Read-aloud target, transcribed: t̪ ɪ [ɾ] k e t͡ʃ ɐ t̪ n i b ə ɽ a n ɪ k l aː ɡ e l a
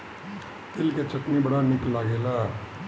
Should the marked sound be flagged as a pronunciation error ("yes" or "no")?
yes